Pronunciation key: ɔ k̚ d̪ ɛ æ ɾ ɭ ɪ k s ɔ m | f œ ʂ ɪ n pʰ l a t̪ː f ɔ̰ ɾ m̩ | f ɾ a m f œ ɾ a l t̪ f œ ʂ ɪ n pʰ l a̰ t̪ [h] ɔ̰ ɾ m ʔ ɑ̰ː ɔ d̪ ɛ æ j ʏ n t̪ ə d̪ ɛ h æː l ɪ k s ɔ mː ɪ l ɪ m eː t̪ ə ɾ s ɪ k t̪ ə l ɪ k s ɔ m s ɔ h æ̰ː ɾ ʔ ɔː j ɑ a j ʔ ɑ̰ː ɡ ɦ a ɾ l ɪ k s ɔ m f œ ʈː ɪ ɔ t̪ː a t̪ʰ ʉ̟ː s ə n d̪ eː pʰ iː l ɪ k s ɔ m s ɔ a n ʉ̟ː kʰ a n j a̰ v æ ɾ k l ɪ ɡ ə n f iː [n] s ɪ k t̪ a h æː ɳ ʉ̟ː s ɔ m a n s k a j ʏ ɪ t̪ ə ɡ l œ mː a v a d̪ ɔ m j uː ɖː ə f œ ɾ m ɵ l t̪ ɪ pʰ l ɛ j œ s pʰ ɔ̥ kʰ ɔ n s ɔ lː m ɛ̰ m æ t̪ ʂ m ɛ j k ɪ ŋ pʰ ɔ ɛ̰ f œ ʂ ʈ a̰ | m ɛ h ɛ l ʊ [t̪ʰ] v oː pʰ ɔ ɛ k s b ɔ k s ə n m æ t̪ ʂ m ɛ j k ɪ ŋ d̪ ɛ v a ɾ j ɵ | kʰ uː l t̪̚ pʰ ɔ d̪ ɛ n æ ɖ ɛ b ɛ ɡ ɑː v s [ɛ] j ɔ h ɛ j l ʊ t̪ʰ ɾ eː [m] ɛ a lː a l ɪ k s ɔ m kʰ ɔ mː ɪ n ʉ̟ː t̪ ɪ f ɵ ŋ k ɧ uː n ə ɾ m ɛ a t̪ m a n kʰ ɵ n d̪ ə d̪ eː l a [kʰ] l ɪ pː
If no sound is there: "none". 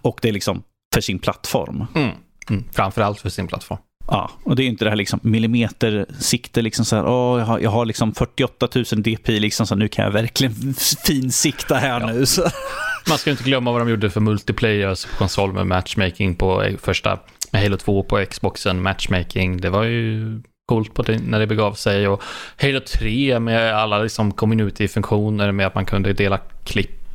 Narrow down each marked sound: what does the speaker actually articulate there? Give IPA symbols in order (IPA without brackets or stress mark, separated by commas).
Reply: f, n, t̪ʰ, ɛ, m, kʰ